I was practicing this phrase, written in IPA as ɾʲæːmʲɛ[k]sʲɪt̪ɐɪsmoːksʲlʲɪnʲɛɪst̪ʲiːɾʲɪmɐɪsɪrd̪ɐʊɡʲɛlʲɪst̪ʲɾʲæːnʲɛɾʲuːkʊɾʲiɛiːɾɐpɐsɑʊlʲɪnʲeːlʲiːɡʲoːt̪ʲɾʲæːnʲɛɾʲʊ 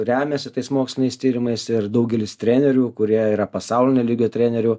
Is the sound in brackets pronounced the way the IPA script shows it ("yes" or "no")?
no